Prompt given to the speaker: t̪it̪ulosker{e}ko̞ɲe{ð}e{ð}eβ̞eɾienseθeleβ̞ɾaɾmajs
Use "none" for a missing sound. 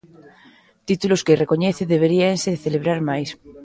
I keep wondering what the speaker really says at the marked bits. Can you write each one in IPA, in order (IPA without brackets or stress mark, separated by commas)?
e, θ, ð